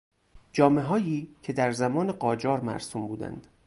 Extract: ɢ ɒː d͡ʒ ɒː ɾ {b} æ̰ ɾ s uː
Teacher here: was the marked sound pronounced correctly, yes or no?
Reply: no